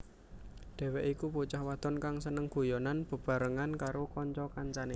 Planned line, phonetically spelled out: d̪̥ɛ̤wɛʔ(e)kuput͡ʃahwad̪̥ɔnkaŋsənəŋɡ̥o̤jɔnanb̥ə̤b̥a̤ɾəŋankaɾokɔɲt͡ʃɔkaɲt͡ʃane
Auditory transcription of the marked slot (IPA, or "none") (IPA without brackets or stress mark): i